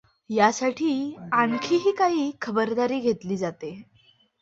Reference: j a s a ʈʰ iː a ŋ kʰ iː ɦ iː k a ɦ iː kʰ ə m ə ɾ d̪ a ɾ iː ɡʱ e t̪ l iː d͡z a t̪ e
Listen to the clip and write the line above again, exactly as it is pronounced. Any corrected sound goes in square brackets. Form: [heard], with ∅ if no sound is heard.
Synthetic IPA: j a s a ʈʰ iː a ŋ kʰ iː ɦ iː k a ɦ iː kʰ ə [b] ə ɾ d̪ a ɾ iː ɡʱ e t̪ l iː d͡z a t̪ e

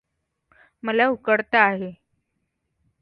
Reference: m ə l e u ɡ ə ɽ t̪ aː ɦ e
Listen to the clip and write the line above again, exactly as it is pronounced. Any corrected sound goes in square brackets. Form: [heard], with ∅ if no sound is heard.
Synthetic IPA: m ə l [a] u [k] ə ɽ t̪ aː ɦ e

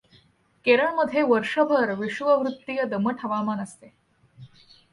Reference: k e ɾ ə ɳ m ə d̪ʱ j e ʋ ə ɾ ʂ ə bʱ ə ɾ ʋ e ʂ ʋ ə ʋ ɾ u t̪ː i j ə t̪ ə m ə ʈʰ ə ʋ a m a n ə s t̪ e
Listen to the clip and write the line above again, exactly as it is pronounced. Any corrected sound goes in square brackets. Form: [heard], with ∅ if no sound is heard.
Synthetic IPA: k e ɾ ə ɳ m ə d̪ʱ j e ʋ ə ɾ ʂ ə bʱ ə ɾ ʋ [i] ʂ ʋ ə ʋ ɾ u t̪ː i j ə [d̪] ə m ə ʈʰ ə ʋ a m a n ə s t̪ e

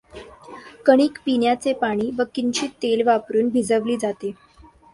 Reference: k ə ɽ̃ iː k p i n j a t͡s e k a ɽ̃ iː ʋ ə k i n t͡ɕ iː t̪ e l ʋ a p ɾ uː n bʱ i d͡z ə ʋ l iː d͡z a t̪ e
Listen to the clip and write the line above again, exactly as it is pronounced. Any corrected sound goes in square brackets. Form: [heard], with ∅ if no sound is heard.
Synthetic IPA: k ə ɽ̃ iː k p i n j a t͡s e [p] a ɽ̃ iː ʋ ə k i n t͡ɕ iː t̪ e l ʋ a p ɾ uː n bʱ i d͡z ə ʋ l iː d͡z a t̪ e

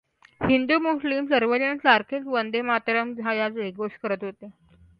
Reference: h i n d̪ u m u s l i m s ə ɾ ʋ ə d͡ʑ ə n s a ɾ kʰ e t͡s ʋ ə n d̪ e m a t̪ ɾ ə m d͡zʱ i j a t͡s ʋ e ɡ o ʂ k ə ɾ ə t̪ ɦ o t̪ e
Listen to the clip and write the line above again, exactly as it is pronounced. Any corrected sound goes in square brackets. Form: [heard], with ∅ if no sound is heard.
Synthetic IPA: h i n d̪ u m u s l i m s ə ɾ ʋ ə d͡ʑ ə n s a ɾ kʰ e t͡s ʋ ə n d̪ e m a t̪ ɾ ə m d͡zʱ [a] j a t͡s ʋ e ɡ o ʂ k ə ɾ ə t̪ ɦ o t̪ e

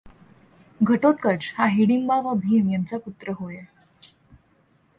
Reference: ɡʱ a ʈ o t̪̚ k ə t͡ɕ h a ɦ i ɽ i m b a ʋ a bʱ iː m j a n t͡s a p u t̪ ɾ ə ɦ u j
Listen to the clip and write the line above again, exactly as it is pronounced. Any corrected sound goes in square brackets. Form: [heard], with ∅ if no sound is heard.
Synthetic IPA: ɡʱ [ə] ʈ o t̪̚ k ə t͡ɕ h a ɦ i ɽ i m b a ʋ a bʱ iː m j a n t͡s a p u t̪ ɾ ə ɦ [o] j

